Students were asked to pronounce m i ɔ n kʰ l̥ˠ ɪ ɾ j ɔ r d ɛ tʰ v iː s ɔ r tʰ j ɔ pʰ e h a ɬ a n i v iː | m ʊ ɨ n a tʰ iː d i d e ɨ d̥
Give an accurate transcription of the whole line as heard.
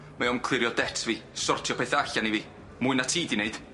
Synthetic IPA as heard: m a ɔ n kʰ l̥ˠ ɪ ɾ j ɔ d ɛ tʰ v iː s ɔ r tʰ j ɔ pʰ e θ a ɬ a n i v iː | m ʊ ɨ n a tʰ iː d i n e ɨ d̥